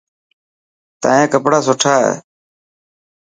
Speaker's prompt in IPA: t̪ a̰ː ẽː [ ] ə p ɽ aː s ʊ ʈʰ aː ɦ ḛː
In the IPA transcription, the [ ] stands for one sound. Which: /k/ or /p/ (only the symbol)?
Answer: k